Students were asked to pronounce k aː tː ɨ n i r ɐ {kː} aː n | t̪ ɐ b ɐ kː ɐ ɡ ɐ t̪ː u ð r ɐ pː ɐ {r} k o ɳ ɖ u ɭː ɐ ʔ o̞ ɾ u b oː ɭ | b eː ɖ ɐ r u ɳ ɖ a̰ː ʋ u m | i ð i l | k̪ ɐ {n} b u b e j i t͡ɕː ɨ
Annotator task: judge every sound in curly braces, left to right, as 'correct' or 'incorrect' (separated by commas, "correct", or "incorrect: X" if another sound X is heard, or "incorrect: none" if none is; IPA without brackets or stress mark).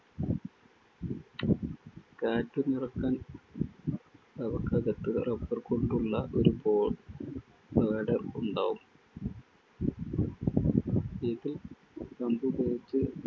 correct, correct, incorrect: m